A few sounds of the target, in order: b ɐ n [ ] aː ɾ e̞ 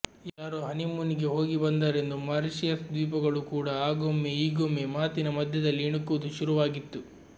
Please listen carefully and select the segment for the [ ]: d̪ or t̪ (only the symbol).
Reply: d̪